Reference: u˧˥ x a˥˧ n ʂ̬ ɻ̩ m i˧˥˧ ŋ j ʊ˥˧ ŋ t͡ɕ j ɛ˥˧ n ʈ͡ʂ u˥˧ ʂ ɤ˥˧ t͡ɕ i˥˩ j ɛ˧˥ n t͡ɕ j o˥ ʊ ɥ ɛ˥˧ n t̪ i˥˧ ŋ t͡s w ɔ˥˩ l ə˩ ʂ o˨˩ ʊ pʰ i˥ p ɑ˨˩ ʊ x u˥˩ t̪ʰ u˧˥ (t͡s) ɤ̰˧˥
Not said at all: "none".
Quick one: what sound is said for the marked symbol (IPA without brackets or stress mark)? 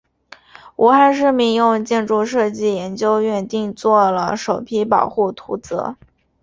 t͡s